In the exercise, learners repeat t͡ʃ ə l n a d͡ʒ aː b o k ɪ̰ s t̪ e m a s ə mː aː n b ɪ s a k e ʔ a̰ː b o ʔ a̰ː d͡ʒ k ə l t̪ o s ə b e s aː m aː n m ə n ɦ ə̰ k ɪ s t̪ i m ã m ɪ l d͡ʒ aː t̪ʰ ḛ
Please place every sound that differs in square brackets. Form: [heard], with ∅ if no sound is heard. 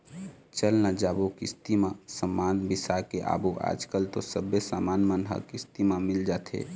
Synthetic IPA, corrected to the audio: t͡ʃ ə l n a d͡ʒ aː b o k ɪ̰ s t̪ [i] m a s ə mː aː n b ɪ s a k e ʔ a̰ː b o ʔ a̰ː d͡ʒ k ə l t̪ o s ə b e s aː m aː n m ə n ɦ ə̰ k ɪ s t̪ i m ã m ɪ l d͡ʒ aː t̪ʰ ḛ